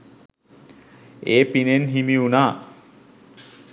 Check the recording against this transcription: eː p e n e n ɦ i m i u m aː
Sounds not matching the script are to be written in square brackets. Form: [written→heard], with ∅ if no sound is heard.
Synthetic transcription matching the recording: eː p [e→i] n e n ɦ i m i u [m→n] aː